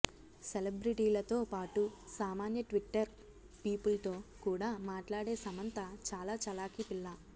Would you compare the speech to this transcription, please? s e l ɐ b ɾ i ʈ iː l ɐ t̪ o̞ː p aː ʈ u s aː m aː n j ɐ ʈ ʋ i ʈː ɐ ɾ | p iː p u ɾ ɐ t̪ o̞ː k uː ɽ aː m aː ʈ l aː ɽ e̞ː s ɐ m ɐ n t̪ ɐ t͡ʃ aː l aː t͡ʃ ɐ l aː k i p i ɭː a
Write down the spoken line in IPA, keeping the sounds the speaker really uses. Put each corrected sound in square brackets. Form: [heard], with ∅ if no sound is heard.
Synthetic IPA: s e l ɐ b ɾ i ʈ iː l ɐ t̪ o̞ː p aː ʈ u s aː m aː n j ɐ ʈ ʋ i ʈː ɐ ɾ | p iː p u [l] ɐ t̪ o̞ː k uː ɽ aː m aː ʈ l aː ɽ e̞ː s ɐ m ɐ n t̪ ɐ t͡ʃ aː l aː t͡ʃ ɐ l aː k i p i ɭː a